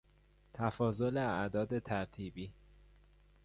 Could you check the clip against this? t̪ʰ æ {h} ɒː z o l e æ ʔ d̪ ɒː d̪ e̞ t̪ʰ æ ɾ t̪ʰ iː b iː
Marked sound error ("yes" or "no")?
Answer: yes